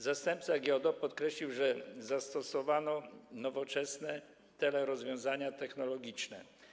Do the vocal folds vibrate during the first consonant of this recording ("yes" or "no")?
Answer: yes